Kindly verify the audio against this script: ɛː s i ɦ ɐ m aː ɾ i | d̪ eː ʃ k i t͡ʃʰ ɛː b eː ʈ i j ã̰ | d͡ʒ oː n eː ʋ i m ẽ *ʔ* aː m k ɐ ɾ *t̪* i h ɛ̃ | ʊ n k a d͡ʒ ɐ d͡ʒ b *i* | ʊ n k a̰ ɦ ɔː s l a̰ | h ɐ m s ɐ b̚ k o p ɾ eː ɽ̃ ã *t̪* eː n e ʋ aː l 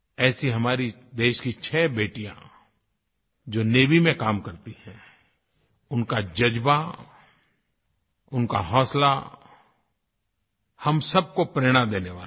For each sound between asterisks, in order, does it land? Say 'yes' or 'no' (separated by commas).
no, yes, no, no